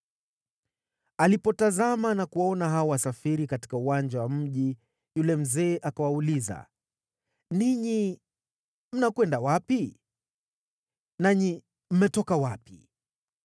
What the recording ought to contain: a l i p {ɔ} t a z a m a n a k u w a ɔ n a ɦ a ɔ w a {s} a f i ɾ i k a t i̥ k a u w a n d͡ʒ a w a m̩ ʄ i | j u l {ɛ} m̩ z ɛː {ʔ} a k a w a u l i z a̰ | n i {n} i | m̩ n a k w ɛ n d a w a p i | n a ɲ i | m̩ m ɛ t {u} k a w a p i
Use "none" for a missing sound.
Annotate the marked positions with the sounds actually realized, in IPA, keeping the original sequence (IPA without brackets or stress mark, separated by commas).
ɔ, s, ɛ, ʔ, ɲ, ɔ